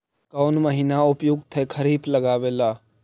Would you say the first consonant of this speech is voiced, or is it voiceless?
voiceless